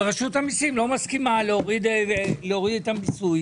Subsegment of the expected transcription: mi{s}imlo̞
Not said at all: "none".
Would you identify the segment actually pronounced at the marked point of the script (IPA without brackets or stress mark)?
s